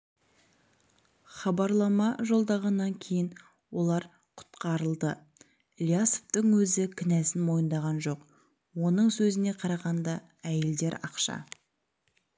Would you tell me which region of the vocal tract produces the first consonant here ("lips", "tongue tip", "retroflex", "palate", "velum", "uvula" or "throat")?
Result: uvula